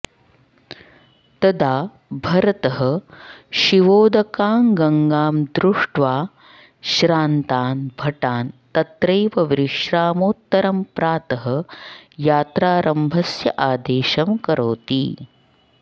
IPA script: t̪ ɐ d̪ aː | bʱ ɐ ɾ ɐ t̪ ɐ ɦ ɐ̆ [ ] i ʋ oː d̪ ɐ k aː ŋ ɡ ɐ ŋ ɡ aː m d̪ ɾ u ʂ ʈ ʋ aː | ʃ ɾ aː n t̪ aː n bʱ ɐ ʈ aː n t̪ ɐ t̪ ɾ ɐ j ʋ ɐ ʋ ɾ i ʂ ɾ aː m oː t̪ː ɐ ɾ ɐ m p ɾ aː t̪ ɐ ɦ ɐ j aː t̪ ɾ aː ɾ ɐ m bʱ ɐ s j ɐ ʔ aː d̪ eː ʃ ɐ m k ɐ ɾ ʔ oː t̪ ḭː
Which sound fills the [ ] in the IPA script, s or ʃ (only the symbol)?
ʃ